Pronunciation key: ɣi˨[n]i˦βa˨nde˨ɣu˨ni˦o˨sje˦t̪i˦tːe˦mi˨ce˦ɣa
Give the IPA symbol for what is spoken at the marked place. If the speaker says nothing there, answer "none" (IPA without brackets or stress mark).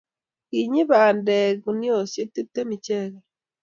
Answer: ɲ